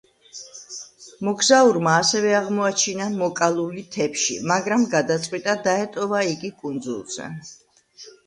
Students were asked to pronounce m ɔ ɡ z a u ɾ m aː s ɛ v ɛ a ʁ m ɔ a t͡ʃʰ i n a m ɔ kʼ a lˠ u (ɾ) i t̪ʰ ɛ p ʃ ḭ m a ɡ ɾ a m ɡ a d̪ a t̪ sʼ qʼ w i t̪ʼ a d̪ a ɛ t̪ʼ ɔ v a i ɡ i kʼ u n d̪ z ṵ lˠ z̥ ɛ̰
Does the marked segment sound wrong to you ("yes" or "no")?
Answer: yes